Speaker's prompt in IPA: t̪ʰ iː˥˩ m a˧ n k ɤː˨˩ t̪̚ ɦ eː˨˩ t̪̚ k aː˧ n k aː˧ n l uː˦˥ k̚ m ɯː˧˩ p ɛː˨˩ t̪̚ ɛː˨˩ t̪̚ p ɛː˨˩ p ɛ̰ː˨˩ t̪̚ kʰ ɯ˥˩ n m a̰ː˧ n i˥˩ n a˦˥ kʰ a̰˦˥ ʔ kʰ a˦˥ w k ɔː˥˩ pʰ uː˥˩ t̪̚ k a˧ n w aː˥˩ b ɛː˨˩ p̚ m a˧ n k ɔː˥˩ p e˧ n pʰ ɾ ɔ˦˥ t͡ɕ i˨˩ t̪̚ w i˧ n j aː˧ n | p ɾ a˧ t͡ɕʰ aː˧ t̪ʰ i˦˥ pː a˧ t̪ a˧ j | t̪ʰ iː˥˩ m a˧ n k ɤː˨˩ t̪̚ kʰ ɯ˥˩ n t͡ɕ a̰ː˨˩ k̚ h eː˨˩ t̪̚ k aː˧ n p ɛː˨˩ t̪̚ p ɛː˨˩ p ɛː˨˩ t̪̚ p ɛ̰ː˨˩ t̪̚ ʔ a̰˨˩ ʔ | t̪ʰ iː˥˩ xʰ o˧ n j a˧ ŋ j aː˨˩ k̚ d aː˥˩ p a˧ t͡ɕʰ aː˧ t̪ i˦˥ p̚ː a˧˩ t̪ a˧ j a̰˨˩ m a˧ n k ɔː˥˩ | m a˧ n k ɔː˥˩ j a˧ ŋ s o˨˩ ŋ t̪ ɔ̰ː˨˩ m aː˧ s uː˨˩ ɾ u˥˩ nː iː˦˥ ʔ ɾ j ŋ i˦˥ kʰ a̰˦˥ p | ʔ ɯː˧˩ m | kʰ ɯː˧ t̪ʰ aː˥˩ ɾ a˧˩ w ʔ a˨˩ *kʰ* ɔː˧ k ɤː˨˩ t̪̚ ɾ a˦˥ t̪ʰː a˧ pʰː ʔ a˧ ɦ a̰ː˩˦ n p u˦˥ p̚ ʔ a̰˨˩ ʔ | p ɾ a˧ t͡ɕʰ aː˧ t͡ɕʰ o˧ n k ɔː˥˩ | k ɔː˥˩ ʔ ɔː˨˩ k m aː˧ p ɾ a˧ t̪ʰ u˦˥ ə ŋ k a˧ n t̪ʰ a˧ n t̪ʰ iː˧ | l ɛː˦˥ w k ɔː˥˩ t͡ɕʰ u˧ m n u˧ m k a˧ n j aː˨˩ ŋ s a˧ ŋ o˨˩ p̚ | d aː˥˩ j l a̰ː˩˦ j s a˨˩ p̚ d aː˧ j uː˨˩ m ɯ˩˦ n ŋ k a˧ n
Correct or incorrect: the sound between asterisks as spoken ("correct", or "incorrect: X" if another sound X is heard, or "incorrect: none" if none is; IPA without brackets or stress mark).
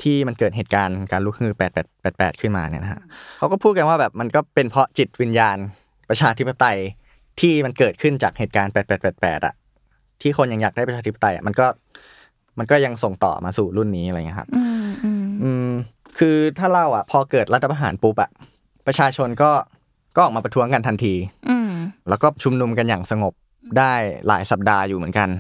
incorrect: pʰ